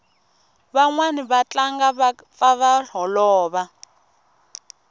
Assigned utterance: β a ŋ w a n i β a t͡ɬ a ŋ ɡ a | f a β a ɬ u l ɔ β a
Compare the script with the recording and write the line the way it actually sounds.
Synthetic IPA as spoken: β a ŋ w a n i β a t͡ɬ a ŋ ɡ a | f a β a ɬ ɔ l ɔː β a